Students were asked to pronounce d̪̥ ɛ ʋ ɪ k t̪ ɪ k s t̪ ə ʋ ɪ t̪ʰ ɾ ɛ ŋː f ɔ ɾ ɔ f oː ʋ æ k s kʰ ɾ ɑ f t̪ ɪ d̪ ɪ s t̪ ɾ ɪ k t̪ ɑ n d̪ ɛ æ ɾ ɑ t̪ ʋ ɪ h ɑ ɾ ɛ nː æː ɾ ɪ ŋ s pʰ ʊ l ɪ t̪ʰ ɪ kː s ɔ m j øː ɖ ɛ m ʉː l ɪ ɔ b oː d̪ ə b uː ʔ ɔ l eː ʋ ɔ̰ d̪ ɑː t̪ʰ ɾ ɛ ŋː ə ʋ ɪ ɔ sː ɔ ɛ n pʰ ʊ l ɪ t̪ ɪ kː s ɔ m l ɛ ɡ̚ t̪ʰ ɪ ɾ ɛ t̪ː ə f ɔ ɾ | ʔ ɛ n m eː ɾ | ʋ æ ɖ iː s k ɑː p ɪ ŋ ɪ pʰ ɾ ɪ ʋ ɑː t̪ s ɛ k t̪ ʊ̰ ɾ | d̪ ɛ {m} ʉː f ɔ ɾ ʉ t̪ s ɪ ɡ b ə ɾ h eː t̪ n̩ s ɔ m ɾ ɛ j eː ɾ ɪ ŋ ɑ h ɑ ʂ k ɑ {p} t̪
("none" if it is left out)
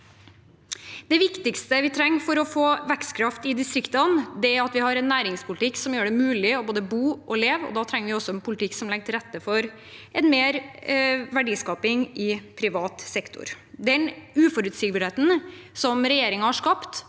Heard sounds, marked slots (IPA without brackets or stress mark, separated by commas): n, p